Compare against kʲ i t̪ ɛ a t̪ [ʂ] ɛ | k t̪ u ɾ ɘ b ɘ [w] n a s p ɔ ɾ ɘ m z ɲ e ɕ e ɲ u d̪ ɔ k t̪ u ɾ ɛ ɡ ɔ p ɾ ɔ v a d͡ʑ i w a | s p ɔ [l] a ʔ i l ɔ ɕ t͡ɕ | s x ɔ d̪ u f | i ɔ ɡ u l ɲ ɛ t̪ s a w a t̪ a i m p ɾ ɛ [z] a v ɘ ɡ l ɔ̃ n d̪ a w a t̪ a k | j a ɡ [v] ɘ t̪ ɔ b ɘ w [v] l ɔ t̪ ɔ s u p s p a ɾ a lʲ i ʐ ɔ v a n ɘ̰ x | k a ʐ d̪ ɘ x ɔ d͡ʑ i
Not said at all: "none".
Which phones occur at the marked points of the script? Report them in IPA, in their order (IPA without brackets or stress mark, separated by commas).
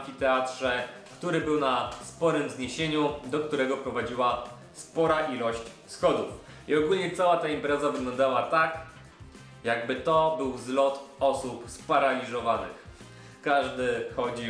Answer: ʂ, w, ɾ, z, b, z